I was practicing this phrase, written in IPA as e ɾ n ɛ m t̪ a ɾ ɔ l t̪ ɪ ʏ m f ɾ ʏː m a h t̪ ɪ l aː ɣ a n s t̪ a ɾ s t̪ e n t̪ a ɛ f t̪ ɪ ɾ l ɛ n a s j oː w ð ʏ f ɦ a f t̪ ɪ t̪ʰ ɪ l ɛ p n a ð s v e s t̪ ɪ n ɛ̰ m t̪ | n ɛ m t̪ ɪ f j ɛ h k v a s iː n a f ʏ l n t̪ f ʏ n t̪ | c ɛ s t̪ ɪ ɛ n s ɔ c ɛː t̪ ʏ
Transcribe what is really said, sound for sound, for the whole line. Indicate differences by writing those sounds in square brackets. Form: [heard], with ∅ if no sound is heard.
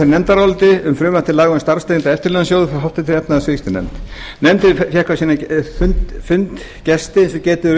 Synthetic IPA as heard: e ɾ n ɛ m t̪ a ɾ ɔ l t̪ ɪ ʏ m f ɾ ʏː m a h t̪ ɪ l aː ɣ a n s t̪ a ɾ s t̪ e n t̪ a ɛ f t̪ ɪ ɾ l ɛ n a s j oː w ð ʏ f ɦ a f t̪ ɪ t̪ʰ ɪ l ɛ p n a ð s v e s t̪ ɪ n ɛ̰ m t̪ | n ɛ m t̪ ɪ f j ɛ h k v a s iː n a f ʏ [∅] n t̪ f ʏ n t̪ | c ɛ s t̪ ɪ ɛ n s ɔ c ɛː t̪ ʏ